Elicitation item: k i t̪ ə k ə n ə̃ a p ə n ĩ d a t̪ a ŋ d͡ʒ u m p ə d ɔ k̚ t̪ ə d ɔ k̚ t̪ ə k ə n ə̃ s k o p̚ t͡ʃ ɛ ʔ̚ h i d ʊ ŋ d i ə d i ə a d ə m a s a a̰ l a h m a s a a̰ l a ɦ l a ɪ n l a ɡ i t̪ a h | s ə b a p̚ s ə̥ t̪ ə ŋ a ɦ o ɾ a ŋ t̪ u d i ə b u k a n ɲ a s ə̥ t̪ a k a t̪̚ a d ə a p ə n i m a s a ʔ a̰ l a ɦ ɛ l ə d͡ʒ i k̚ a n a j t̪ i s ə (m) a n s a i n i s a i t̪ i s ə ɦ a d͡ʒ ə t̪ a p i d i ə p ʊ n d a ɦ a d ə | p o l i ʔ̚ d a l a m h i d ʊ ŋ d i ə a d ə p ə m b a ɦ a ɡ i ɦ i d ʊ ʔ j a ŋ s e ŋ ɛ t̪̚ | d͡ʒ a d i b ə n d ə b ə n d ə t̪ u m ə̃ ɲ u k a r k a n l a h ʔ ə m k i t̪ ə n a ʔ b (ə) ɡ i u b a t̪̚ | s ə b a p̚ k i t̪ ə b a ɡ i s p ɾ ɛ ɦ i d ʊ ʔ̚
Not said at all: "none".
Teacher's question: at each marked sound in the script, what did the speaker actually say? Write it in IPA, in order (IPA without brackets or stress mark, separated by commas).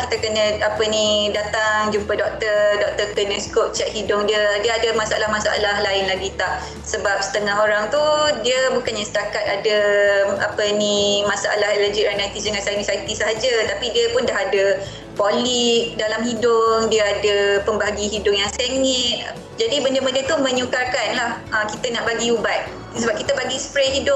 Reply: ŋ, a